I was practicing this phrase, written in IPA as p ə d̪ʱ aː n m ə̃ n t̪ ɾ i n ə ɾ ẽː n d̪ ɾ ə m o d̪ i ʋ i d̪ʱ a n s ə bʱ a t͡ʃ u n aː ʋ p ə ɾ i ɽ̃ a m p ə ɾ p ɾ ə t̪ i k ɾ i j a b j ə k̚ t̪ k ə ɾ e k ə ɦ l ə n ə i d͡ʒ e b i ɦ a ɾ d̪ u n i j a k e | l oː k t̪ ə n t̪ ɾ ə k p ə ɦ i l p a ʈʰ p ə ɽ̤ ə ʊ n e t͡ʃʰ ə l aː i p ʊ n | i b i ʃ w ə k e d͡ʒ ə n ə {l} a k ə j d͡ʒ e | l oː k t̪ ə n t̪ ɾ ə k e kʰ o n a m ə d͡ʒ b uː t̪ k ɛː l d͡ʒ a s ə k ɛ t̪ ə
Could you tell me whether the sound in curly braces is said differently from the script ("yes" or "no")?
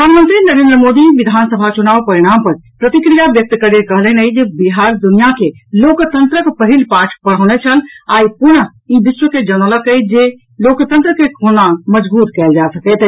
no